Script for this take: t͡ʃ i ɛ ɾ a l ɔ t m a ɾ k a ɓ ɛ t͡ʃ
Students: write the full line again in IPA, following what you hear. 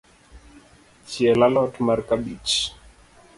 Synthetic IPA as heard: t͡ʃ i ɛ l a l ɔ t m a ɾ k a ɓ i t͡ʃ